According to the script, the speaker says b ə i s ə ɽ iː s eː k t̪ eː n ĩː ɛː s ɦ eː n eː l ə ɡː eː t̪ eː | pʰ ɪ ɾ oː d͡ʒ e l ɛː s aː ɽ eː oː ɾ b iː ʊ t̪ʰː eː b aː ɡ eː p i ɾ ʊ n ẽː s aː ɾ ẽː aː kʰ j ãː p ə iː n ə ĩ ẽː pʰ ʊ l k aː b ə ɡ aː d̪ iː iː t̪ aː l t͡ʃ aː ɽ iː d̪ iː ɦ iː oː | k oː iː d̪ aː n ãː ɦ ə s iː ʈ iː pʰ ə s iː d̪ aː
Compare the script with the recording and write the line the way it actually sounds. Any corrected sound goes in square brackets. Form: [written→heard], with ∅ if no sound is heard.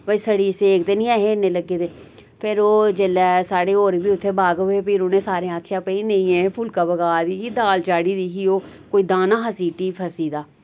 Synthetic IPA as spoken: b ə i s ə ɽ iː s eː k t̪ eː n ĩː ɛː [s→∅] ɦ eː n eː l ə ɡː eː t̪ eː | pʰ ɪ ɾ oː d͡ʒ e l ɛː s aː ɽ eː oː ɾ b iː ʊ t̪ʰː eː b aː ɡ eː p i ɾ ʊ n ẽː s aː ɾ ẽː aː kʰ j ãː p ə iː n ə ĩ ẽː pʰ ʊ l k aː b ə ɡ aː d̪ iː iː [t̪→d̪] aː l t͡ʃ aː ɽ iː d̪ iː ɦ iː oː | k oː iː d̪ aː n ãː ɦ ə s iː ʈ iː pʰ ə s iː d̪ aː